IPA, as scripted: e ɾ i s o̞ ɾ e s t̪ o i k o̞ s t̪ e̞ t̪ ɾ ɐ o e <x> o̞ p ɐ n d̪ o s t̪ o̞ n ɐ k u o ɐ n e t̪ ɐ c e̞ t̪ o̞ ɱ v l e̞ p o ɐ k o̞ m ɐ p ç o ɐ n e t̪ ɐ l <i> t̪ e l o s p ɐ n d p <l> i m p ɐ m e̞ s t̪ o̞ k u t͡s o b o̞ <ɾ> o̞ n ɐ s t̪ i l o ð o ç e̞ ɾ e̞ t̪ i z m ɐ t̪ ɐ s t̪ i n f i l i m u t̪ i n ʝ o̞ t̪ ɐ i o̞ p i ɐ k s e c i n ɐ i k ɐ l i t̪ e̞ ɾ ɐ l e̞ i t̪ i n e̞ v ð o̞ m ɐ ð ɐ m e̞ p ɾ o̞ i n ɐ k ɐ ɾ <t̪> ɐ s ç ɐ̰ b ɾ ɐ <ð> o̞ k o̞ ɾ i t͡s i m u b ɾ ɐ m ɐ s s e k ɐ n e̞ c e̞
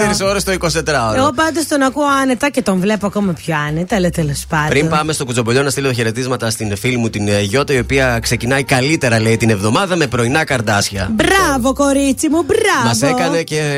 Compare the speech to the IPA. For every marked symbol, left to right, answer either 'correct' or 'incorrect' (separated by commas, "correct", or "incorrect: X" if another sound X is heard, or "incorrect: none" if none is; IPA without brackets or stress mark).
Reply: incorrect: ɣ, incorrect: e, incorrect: ɾ, incorrect: ʎ, incorrect: d̪, incorrect: v